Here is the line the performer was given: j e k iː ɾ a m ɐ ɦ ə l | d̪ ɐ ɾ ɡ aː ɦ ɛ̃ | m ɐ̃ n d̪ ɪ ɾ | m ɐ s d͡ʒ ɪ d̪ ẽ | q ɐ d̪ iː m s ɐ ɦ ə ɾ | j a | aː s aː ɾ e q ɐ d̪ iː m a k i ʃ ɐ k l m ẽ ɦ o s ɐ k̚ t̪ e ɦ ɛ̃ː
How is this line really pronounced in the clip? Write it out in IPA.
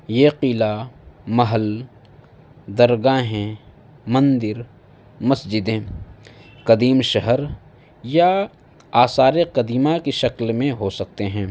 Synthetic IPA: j e q iː l a m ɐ ɦ ə l | d̪ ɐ ɾ ɡ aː ɦ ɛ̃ | m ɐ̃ n d̪ ɪ ɾ | m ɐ s d͡ʒ ɪ d̪ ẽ | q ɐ d̪ iː m ʃ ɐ ɦ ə ɾ | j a | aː s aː ɾ e q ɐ d̪ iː m a k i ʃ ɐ k l m ẽ ɦ o s ɐ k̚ t̪ e ɦ ɛ̃ː